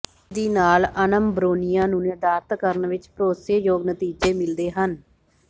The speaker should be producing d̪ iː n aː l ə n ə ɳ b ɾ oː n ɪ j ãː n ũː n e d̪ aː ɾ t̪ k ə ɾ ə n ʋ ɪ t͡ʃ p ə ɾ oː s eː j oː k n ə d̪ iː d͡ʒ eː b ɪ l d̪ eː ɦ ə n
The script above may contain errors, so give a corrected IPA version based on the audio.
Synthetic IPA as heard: d̪ iː n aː l ə n ə m b ɾ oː n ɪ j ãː n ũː n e d̪ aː ɾ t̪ k ə ɾ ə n ʋ ɪ t͡ʃ p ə ɾ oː s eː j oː ɡ n ə t̪ iː d͡ʒ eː m ɪ l d̪ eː ɦ ə n